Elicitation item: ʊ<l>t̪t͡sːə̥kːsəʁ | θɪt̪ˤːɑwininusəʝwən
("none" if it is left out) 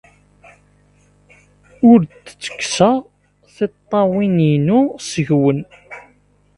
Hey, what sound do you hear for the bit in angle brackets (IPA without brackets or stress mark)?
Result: ɾ